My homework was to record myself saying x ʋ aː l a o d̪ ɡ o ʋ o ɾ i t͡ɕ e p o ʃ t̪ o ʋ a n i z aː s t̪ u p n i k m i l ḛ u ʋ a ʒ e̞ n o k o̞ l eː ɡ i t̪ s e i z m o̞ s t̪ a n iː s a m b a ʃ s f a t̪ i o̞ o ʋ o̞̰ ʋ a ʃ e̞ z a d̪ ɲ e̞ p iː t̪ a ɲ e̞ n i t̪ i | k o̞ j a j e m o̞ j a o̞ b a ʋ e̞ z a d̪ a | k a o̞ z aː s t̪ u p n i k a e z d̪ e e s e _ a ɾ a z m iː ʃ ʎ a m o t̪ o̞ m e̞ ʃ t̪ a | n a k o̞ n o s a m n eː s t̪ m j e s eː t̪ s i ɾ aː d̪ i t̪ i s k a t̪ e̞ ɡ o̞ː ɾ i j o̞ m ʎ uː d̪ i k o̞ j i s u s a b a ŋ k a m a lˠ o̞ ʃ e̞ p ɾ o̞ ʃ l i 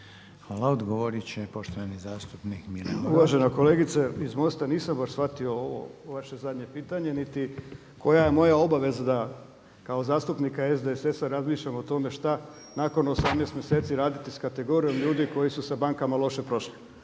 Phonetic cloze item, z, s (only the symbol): s